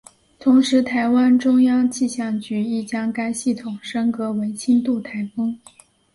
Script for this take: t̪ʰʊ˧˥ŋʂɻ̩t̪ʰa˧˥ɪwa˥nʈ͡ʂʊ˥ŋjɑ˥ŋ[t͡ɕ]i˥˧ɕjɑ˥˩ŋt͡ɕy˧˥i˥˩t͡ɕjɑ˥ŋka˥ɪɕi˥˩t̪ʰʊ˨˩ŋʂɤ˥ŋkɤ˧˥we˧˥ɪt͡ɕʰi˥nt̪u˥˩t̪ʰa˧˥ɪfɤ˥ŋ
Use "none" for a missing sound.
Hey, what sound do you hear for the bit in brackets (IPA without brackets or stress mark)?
t͡ɕ